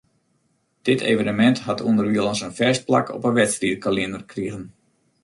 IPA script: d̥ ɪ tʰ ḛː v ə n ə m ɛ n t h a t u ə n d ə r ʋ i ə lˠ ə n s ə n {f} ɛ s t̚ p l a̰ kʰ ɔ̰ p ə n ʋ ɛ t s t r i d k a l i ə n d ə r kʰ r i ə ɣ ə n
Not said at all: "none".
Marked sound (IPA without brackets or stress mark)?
f